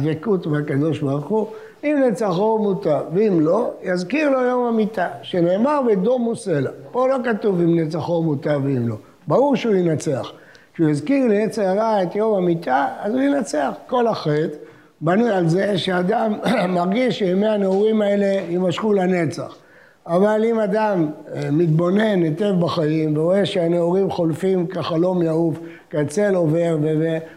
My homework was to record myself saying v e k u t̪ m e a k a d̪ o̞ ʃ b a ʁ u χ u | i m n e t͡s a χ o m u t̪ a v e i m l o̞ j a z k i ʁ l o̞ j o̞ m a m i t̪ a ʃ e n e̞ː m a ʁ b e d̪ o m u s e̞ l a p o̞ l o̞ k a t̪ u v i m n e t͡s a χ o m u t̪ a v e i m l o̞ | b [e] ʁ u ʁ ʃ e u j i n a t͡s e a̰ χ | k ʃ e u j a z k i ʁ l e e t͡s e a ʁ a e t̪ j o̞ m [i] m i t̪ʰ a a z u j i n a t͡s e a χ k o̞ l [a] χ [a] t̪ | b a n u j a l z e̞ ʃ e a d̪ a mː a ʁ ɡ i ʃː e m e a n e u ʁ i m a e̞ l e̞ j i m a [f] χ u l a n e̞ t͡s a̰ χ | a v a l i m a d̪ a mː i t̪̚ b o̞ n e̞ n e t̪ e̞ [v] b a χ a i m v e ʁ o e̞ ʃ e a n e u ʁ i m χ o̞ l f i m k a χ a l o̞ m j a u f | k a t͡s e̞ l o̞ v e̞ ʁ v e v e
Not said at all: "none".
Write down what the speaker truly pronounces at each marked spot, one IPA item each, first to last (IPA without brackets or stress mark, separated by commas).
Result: a, a, a, e, ʃ, v